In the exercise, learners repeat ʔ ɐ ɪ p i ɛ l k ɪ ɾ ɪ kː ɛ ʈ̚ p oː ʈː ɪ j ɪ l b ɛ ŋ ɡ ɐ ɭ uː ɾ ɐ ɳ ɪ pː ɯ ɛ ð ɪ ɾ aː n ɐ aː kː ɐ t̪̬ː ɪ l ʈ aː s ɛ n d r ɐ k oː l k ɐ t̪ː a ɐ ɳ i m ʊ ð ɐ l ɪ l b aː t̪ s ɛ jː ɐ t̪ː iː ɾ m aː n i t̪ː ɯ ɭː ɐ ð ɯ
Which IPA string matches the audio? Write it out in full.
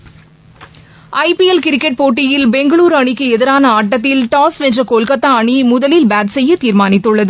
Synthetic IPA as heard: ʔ ɐ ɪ p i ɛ l k ɪ ɾ ɪ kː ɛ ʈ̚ p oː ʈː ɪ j ɪ l b ɛ ŋ ɡ ɐ ɭ uː ɾ ɐ ɳ ɪ kː ɯ ɛ ð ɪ ɾ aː n ɐ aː ʈː ɐ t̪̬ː ɪ l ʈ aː s ɛ n d r ɐ k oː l k ɐ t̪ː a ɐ ɳ i m ʊ ð ɐ l ɪ l b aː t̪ s ɛ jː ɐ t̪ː iː ɾ m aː n ɪ t̪ː ɯ ɭː ɐ ð ɯ